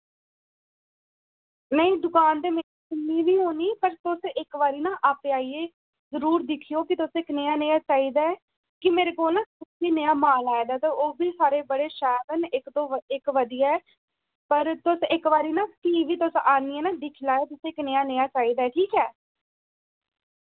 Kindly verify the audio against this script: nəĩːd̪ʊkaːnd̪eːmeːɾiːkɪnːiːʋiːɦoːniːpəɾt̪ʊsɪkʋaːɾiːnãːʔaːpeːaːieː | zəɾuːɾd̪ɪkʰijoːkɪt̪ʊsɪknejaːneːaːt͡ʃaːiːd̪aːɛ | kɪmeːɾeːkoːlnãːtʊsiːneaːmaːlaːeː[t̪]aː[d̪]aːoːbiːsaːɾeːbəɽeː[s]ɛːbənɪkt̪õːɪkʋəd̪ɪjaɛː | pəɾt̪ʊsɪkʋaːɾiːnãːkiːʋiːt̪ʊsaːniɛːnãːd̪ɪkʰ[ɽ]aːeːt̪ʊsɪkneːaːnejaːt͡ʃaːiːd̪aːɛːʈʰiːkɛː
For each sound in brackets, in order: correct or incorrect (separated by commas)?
incorrect, incorrect, incorrect, incorrect